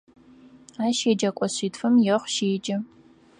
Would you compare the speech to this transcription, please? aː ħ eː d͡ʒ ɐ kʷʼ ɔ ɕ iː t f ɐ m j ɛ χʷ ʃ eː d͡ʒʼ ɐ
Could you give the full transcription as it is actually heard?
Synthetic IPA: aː ʃ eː d͡ʒ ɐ kʷʼ ɔ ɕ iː t f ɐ m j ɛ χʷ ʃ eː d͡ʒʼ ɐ

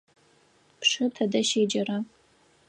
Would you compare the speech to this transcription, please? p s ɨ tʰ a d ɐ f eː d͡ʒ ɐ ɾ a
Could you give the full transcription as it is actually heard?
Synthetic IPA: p ʂ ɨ tʰ ɐ d ɐ ʃ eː d͡ʒ ɐ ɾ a

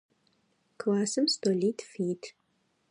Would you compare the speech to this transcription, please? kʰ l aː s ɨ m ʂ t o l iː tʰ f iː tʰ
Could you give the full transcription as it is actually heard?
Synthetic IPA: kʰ l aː s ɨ m s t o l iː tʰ f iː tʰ

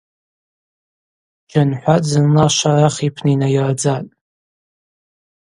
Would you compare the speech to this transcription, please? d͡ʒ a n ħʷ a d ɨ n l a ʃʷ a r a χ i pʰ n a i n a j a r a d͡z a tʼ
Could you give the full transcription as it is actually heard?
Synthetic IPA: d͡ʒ a n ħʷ a d͡z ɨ n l a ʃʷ a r a χ i pʰ n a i n a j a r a d͡z a tʼ

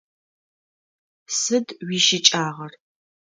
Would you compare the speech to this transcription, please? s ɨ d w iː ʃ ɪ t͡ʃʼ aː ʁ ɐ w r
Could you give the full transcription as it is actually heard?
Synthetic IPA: s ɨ d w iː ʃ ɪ t͡ʃʼ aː ʁ ɐ r

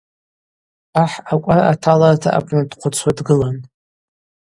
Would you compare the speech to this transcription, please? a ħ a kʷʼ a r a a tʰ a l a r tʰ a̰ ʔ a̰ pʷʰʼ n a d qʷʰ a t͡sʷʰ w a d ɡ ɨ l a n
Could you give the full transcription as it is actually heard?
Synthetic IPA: a ħ a kʷʼ a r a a tʰ a l a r tʰ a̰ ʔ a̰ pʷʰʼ n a d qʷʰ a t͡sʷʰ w a d ɡ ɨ l a n

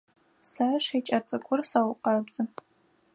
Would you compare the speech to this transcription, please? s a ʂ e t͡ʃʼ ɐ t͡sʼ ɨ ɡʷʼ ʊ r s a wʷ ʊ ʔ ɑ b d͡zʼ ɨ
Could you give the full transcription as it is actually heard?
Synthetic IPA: s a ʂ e t͡ʃʼ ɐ t͡sʼ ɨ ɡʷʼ ʊ r s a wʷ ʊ q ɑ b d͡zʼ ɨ

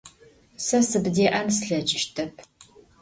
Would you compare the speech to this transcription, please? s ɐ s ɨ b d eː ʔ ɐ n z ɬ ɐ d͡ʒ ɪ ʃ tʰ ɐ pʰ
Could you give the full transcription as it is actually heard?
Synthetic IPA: s ɐ s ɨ b d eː ʔ ɐ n s ɬ ɐ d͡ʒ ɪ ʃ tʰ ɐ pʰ

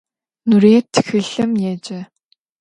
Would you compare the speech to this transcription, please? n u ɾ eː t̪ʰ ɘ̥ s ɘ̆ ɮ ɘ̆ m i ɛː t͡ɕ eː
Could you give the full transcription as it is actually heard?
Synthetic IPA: n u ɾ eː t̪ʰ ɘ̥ x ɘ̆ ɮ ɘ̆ m j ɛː t͡ɕ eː

